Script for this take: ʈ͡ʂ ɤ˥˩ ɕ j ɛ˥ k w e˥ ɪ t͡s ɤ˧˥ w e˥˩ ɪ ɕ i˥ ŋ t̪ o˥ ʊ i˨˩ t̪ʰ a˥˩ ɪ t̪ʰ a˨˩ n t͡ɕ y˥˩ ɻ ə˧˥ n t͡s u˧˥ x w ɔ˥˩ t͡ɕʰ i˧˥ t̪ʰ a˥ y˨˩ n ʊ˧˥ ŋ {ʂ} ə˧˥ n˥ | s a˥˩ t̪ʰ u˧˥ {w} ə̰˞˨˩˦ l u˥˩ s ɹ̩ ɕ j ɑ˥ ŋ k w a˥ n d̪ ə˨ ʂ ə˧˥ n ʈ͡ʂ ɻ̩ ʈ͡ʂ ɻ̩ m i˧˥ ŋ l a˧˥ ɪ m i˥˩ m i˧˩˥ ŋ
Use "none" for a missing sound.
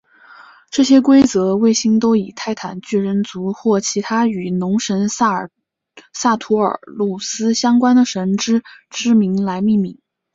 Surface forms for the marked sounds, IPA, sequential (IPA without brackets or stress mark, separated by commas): ʂ, none